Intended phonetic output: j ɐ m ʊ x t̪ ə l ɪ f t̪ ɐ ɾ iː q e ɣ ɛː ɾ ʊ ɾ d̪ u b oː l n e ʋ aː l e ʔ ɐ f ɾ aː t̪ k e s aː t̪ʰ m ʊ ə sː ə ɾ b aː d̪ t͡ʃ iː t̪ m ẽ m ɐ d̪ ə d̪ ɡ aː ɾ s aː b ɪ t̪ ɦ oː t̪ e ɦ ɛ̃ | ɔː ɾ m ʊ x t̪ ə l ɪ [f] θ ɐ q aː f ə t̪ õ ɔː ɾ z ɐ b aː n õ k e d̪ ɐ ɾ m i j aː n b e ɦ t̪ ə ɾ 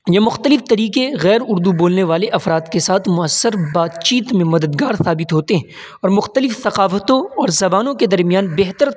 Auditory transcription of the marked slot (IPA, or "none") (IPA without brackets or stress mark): f